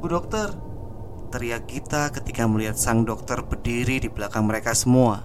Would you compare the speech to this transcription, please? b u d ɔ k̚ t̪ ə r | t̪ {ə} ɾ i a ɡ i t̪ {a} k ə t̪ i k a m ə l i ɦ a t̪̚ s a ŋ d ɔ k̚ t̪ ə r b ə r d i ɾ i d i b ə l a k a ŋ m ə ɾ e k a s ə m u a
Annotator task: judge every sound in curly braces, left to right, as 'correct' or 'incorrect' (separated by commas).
correct, correct